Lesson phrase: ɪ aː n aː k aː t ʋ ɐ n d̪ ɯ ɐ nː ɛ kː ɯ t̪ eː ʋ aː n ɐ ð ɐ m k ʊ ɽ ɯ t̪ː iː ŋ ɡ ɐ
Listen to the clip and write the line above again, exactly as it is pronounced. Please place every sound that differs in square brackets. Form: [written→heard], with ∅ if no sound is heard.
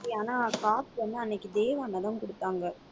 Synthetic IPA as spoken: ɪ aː n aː k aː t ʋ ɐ n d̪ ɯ ɐ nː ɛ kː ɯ [t̪→d̪] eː ʋ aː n ɐ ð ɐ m k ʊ ɽ ɯ t̪ː [iː→aː] ŋ ɡ ɐ